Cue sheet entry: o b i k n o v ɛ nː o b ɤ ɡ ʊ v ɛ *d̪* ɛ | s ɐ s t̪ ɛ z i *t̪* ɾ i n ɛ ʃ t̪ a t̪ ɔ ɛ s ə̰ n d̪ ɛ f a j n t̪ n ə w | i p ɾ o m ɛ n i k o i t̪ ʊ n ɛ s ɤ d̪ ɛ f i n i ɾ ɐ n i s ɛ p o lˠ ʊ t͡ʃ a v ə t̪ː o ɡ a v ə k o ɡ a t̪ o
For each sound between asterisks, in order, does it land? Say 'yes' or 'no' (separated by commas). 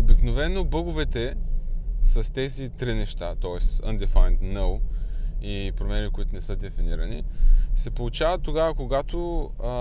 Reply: no, yes